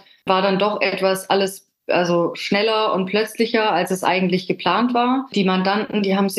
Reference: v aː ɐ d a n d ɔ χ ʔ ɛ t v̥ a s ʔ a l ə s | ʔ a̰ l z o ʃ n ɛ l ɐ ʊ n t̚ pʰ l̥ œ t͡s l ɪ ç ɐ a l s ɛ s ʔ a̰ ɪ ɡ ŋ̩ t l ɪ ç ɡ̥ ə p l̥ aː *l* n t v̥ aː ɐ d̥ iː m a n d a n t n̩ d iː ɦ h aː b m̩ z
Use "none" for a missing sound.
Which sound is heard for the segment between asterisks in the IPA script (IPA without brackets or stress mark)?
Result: none